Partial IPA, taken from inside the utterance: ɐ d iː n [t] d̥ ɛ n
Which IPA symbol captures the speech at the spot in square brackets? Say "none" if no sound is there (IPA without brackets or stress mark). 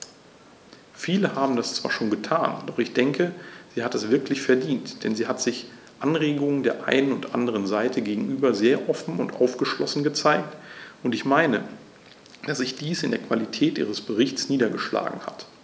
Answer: t